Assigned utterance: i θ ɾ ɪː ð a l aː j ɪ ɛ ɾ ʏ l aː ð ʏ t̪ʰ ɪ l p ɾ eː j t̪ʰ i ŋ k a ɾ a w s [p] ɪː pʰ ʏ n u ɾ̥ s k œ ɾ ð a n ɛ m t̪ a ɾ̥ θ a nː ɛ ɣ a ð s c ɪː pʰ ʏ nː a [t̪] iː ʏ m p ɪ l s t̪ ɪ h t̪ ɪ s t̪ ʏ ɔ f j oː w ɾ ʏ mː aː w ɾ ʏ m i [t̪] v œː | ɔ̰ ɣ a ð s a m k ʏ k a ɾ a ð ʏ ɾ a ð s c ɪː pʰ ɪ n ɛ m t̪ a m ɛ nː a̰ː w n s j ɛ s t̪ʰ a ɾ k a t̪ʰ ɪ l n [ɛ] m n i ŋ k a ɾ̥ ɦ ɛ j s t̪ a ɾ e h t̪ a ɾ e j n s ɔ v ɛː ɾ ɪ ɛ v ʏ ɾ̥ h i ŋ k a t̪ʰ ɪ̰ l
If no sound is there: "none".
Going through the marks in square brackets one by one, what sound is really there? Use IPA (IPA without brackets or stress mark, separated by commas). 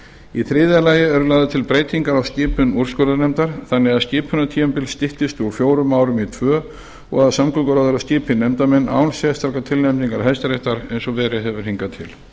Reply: c, t̪ʰ, t̪ʰ, ɛ